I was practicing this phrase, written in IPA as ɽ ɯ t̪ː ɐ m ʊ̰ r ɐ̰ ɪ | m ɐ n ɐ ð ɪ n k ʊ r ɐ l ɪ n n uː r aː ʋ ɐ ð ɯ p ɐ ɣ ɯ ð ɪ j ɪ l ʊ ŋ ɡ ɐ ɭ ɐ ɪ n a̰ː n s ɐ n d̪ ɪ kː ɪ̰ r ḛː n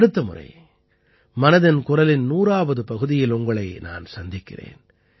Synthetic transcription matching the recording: ɽ ɯ t̪ː ɐ m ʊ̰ r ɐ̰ ɪ | m ɐ n ɐ ð ɪ n k ʊ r ɐ l ɪ n n uː r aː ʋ ɐ ð ɯ p ɐ ɣ ɯ ð ɪ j ɪ l ʊ ŋ ɡ ɐ ɭ ɐ ɪ n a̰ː n s ɐ n d̪ ɪ kː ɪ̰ r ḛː n